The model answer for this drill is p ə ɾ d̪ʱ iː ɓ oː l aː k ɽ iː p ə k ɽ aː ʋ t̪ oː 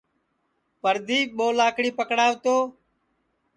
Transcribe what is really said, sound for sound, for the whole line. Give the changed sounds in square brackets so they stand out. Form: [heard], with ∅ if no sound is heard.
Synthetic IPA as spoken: p ə ɾ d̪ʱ iː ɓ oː l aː k ɽ iː p ə k ɽ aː ʋ t̪ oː